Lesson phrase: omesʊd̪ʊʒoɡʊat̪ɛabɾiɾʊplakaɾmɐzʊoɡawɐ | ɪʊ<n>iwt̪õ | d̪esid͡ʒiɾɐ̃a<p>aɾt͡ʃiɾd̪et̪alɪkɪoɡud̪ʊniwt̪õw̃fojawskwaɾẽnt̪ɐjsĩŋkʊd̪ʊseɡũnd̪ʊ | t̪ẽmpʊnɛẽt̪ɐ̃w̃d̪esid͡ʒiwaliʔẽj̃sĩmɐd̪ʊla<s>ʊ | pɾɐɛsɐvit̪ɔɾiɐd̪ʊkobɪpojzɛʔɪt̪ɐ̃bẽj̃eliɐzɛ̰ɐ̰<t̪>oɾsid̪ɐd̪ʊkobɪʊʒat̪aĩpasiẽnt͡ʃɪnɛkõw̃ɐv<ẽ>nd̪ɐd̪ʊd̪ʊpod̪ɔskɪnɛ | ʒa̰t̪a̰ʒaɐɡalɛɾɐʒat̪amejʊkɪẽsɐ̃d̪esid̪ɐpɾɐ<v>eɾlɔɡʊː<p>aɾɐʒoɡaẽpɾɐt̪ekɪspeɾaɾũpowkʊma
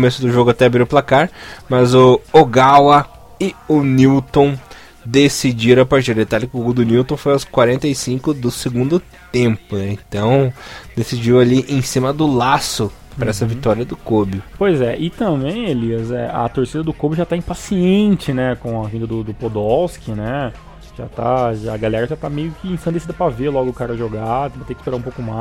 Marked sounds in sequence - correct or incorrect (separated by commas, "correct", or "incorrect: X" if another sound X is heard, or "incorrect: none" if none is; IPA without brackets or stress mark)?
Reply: correct, correct, correct, correct, incorrect: ĩ, correct, incorrect: k